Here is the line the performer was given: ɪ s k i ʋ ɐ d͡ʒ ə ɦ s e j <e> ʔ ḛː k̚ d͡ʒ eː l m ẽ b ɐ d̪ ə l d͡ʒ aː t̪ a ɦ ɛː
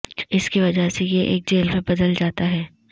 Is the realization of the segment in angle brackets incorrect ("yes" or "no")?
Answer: no